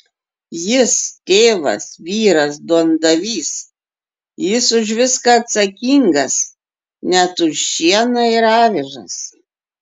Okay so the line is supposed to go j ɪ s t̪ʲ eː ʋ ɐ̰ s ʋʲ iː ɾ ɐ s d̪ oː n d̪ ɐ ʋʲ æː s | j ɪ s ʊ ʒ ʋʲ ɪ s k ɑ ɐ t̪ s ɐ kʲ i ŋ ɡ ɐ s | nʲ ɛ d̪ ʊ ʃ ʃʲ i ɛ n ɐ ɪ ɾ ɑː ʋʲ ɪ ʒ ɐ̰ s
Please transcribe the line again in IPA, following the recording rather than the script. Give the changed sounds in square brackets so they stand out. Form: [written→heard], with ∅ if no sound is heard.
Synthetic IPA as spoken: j ɪ s t̪ʲ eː ʋ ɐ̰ s ʋʲ iː ɾ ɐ s d̪ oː n d̪ ɐ ʋʲ [æː→iː] s | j ɪ s ʊ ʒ ʋʲ ɪ s k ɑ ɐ t̪ s ɐ kʲ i ŋ ɡ ɐ s | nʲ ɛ [d̪→t̪] ʊ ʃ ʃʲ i ɛ n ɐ ɪ ɾ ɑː ʋʲ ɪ ʒ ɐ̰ s